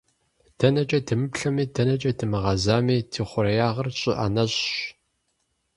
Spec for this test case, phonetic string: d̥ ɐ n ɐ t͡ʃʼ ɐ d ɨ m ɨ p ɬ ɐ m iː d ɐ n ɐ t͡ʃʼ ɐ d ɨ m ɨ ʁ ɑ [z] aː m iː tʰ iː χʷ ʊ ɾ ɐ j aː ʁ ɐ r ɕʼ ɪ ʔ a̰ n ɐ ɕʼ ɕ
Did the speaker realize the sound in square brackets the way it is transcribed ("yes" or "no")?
yes